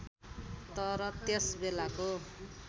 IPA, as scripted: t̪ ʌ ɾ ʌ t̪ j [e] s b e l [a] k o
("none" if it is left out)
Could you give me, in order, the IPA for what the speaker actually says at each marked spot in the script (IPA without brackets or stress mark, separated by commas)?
e, a